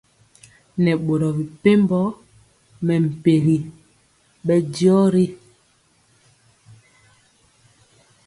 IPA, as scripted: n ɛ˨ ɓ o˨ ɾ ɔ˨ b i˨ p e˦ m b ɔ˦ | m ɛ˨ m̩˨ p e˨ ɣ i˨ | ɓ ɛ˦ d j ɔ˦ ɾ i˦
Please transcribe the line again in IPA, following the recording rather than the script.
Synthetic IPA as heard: n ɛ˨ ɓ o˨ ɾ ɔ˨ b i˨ p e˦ m b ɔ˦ | m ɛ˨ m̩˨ p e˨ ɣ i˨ | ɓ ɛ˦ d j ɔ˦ ɾ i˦

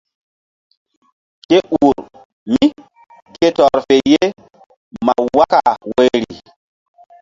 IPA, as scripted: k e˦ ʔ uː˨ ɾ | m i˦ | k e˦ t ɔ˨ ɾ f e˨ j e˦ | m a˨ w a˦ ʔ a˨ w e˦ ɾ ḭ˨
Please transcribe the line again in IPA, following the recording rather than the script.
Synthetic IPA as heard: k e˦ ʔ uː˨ ɾ | m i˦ | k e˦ t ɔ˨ ɾ f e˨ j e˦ | m a˨ w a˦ k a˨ w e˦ ɾ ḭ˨

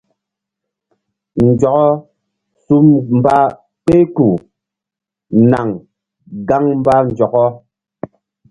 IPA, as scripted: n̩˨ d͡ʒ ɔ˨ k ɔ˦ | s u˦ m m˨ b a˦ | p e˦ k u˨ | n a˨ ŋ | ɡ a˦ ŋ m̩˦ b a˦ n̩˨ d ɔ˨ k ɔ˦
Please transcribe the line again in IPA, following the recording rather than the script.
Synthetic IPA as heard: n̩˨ d͡ʒ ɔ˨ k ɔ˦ | s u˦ m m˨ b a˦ | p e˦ k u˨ | n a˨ ŋ | ɡ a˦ ŋ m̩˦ b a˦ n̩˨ d͡ʒ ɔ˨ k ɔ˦

